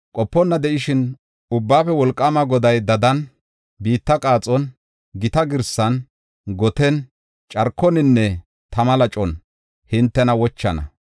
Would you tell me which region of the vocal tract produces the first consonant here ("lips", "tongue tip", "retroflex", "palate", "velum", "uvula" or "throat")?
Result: velum